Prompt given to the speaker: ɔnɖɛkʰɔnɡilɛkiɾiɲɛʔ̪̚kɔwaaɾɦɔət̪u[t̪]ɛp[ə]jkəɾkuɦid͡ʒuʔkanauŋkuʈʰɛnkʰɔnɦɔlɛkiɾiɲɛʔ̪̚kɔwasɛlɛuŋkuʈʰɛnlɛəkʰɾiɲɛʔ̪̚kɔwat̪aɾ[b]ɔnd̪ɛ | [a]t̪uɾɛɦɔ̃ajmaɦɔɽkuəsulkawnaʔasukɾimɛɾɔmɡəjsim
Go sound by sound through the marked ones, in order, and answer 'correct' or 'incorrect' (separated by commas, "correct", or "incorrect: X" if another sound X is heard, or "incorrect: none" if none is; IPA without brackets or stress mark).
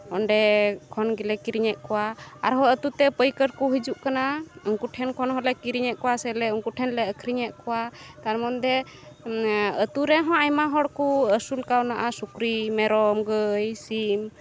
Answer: correct, correct, incorrect: m, incorrect: ə